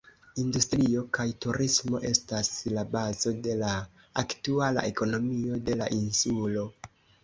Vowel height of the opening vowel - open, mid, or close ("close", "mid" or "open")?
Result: close